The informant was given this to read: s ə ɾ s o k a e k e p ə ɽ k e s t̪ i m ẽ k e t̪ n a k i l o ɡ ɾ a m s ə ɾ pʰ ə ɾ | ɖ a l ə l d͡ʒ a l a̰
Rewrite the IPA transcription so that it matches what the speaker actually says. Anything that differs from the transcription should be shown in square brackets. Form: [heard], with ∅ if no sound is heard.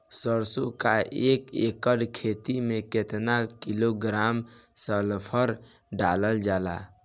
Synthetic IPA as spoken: s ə ɾ s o k a e k e [k] ə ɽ [kʰ] e [∅] t̪ i m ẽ k e t̪ n a k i l o ɡ ɾ a m s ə [l] pʰ ə ɾ | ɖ a l ə l d͡ʒ a l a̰